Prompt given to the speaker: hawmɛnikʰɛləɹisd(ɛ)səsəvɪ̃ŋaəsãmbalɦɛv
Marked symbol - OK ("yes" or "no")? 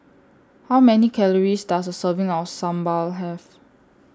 no